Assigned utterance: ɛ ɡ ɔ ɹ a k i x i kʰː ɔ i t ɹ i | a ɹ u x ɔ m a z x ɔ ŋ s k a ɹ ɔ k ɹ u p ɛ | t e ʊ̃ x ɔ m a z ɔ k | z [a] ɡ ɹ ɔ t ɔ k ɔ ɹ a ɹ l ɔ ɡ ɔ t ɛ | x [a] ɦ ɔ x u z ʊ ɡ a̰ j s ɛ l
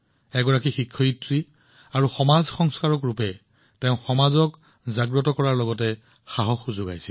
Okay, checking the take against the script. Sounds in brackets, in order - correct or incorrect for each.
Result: correct, correct

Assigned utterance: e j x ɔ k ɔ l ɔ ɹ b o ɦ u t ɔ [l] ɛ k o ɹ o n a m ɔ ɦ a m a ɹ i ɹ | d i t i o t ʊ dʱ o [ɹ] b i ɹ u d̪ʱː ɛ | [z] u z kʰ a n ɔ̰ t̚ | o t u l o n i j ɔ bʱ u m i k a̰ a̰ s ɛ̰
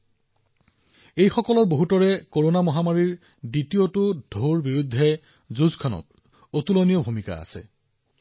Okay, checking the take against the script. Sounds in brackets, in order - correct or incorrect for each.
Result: incorrect, correct, correct

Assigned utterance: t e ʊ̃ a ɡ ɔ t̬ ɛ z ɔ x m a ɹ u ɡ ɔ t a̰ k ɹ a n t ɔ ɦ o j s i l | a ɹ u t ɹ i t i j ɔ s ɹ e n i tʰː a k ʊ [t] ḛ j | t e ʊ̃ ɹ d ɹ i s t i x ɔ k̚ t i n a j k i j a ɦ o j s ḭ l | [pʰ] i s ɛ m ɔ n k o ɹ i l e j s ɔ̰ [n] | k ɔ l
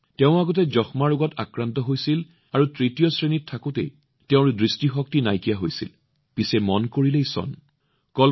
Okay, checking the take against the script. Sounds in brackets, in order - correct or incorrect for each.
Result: correct, incorrect, correct

